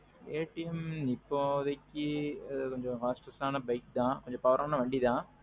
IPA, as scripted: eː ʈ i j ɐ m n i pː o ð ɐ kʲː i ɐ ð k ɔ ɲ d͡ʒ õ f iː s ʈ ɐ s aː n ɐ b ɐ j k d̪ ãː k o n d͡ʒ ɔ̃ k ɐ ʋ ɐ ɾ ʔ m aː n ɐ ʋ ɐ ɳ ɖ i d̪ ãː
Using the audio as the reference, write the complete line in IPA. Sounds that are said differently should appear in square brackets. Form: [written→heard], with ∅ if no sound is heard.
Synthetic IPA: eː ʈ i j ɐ m n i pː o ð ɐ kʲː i ɐ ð k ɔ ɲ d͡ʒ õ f [iː→aː] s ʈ ɐ s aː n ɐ b ɐ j k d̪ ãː k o [n→ɲ] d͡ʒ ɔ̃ [k→p] ɐ ʋ ɐ ɾ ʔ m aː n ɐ ʋ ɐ ɳ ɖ i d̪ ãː